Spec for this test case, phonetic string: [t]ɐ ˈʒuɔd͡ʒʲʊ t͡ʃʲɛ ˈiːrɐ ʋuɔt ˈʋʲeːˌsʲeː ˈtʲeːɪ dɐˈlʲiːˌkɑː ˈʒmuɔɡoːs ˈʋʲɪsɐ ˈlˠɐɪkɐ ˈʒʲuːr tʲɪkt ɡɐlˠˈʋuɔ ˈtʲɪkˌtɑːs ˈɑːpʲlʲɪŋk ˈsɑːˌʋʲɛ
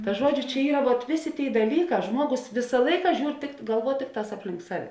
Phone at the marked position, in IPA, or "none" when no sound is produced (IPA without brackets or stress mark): t